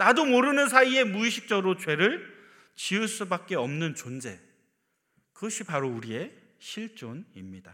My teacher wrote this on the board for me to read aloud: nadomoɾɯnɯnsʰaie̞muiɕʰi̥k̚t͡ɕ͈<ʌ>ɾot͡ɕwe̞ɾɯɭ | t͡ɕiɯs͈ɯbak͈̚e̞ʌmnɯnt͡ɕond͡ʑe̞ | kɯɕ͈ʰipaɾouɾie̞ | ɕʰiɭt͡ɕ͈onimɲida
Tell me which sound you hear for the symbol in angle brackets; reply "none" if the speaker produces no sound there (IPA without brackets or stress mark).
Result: ʌ